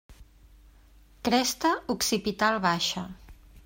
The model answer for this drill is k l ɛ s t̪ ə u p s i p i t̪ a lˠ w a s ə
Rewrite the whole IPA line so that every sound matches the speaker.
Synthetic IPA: k ɾ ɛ s t̪ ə u k s i p i t̪ a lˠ β a ʃ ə